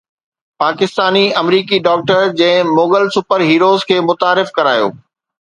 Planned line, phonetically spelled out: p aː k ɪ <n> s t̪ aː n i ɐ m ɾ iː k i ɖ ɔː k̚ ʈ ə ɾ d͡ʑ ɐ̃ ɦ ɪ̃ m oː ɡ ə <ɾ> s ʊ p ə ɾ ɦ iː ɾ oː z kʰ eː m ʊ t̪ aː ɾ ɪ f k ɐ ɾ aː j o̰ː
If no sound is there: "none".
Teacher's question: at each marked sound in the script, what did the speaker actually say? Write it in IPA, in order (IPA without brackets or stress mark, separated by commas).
none, l